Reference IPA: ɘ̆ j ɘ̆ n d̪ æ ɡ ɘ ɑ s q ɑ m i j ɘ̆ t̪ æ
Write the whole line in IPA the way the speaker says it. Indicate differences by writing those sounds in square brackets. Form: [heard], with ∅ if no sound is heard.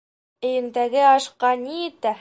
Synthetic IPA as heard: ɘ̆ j ɘ̆ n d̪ æ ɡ ɘ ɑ [ʃ] q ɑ [n] i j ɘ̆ t̪ æ